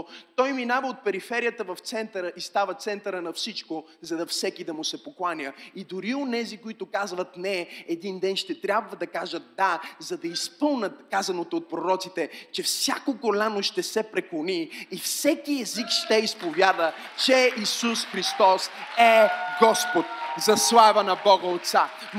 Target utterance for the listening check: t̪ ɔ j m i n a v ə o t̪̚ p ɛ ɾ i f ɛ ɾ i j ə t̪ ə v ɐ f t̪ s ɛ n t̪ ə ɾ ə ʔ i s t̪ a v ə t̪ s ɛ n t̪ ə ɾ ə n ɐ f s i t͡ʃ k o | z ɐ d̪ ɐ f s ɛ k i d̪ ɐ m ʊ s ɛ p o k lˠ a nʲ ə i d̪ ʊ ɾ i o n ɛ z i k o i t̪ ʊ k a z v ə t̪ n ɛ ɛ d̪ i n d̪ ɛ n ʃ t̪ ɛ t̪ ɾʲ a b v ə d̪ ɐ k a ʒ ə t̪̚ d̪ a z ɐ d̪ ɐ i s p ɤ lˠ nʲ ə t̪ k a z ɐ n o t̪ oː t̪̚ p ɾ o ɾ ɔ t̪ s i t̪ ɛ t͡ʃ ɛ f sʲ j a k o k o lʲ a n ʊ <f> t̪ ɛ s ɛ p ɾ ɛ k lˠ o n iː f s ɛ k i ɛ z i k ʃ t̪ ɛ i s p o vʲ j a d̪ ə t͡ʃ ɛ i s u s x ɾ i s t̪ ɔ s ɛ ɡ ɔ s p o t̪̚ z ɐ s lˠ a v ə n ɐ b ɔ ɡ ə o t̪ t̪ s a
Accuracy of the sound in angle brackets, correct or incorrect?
incorrect